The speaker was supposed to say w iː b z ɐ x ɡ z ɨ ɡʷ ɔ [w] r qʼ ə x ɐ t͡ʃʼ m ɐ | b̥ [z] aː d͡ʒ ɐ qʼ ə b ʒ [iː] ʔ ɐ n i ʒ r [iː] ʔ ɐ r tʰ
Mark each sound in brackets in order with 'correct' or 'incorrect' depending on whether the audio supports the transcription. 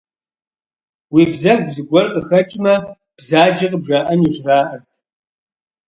incorrect: none, correct, incorrect: aː, incorrect: aː

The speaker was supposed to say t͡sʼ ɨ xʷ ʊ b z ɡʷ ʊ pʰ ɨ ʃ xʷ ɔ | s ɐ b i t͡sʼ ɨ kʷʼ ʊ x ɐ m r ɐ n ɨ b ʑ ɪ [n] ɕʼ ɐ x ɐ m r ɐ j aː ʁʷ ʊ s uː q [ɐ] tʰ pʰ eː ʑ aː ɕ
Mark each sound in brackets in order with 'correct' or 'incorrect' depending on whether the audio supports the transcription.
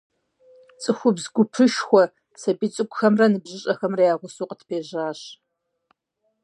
incorrect: none, incorrect: ə

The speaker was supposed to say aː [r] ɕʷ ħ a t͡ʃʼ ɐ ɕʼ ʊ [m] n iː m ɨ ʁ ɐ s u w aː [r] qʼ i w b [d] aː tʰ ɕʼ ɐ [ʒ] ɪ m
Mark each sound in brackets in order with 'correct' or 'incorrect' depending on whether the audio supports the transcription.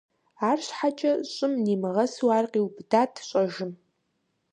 correct, correct, correct, correct, correct

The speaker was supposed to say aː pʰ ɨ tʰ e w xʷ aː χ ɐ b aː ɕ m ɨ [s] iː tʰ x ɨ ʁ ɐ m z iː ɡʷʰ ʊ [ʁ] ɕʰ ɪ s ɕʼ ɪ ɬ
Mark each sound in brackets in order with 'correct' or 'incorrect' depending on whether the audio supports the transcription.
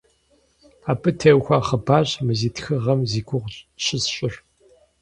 incorrect: z, correct

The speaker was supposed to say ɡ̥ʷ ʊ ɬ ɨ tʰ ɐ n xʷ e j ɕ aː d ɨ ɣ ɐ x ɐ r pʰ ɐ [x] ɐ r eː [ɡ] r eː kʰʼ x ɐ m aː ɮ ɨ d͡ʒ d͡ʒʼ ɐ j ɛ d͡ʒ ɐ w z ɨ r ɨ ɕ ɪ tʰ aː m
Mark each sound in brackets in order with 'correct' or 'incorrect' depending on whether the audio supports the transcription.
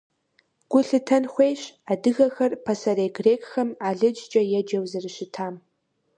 incorrect: s, correct

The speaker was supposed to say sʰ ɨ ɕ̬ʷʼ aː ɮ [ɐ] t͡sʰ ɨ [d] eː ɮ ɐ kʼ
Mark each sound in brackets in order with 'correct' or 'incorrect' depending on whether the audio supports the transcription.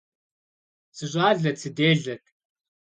correct, correct

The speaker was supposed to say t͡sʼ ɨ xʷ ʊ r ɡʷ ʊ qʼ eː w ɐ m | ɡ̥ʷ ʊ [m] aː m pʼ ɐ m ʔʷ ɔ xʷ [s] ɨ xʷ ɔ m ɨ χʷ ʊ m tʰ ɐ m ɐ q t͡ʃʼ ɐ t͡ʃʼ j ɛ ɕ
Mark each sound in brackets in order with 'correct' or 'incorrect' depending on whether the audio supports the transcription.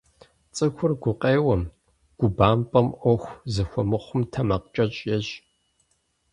incorrect: b, incorrect: z

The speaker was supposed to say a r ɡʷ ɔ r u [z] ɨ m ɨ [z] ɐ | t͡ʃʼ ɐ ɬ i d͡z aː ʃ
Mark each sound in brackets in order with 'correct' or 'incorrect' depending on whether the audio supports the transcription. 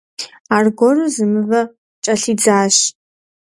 correct, incorrect: v

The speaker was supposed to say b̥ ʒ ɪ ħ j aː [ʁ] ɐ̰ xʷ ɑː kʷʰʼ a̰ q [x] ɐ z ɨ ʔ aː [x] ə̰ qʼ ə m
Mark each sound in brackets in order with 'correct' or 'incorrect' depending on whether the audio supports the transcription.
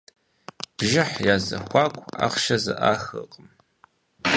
incorrect: z, incorrect: ʃ, correct

